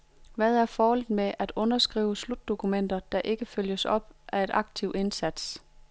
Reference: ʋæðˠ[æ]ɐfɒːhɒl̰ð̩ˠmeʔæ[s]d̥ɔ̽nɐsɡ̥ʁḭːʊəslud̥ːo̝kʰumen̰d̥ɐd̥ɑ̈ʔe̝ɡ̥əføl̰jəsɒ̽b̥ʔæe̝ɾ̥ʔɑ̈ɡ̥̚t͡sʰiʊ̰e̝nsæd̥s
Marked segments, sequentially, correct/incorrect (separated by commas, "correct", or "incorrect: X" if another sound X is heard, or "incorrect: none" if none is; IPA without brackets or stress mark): correct, incorrect: none